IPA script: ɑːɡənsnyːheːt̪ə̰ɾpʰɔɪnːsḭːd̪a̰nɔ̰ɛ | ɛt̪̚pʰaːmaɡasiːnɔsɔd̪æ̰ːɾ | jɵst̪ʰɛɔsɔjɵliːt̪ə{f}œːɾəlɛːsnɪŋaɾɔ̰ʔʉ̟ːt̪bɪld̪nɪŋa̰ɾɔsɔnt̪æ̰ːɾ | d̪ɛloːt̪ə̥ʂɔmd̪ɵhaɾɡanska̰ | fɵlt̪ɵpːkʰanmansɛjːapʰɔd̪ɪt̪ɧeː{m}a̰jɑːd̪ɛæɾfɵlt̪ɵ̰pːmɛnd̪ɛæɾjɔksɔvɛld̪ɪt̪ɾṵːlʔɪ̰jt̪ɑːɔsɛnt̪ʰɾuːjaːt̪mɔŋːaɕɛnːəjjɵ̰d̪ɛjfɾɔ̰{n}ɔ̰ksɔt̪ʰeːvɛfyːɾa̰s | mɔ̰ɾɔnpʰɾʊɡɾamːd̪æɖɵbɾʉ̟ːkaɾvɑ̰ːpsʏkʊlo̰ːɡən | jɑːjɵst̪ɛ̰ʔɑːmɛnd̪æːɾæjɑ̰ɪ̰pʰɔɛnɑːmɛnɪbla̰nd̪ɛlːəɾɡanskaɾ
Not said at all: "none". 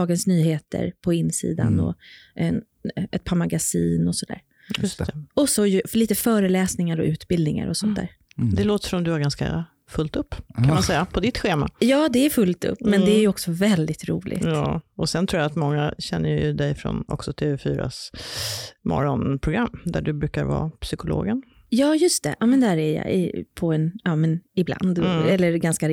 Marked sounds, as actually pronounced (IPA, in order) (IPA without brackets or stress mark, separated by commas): f, m, n